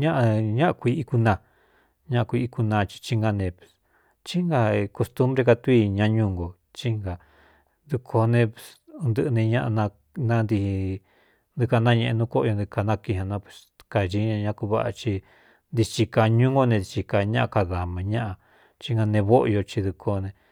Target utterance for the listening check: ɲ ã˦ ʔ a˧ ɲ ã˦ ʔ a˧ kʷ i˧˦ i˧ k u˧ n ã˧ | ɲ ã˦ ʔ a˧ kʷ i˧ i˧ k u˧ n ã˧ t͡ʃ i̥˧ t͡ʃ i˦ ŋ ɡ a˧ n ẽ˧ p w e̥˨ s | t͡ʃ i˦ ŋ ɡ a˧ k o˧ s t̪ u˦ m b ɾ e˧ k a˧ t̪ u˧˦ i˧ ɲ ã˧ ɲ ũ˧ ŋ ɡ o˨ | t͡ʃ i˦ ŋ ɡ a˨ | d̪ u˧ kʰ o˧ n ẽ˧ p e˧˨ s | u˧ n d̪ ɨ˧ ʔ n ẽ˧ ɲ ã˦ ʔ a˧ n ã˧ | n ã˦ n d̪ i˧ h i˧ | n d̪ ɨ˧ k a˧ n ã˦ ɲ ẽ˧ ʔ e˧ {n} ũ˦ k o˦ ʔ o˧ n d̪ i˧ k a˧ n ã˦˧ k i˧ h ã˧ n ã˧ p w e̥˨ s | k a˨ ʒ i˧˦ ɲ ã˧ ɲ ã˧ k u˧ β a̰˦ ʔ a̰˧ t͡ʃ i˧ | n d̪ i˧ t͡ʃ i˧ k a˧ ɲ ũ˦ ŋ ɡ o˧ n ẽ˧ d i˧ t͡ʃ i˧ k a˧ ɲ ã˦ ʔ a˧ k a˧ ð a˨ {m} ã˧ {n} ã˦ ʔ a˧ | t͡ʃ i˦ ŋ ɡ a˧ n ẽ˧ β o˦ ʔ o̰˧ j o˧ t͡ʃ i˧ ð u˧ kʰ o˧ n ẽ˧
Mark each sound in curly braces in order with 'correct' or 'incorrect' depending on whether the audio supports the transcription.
correct, correct, incorrect: ɲ

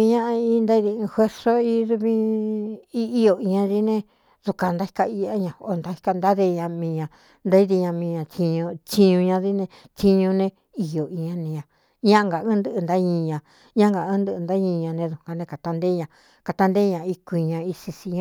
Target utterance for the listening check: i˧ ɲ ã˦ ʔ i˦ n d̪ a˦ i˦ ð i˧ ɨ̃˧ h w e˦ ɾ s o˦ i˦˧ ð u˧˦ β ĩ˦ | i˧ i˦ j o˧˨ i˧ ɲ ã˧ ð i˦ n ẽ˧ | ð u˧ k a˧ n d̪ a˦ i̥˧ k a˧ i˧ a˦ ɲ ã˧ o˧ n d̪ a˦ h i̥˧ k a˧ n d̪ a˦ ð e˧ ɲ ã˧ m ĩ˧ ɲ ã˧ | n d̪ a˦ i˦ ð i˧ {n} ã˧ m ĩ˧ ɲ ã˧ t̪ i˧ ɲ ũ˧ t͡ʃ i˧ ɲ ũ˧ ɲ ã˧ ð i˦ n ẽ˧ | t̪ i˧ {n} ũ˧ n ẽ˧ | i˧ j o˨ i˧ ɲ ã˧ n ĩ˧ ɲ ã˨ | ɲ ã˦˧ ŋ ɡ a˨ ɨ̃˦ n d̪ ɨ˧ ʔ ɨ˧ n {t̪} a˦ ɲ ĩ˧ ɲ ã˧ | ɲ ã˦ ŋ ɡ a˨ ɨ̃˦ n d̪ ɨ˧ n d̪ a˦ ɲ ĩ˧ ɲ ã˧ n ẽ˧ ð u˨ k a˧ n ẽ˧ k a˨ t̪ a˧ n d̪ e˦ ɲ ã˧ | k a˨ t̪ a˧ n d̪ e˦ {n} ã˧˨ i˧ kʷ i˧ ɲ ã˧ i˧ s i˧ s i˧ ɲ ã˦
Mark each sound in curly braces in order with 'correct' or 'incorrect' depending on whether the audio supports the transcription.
incorrect: ɲ, incorrect: ɲ, incorrect: d̪, incorrect: ɲ

